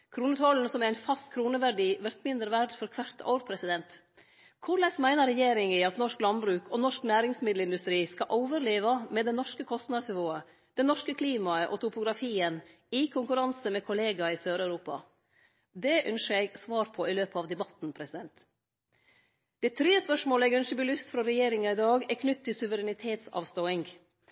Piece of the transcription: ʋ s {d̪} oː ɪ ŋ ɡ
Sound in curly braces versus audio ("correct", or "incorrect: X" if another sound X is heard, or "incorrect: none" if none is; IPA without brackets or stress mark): incorrect: t̪